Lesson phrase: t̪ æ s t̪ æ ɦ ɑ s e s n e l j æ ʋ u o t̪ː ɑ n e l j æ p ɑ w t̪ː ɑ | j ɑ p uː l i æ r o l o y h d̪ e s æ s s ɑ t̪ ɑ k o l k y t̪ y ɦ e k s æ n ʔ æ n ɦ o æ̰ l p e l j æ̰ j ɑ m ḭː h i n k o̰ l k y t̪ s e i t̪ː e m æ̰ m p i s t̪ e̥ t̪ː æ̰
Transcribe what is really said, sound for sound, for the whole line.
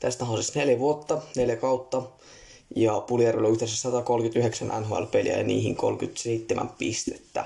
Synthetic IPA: t̪ æ s t̪ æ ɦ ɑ s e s n e l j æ ʋ u o t̪ː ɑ n e l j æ k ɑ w t̪ː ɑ | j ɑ p u l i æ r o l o y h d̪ e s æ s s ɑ t̪ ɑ k o l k y t̪ y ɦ e k s æ n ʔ æ n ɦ o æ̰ l p e l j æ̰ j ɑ n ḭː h i ŋ k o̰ l k y t̪ s e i t̪ː e m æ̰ m p i s t̪ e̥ t̪ː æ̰